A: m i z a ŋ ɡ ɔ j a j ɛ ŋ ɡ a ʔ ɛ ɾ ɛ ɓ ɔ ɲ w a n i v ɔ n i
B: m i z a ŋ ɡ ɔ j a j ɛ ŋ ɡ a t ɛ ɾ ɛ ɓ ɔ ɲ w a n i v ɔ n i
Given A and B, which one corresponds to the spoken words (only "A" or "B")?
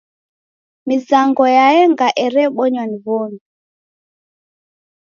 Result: A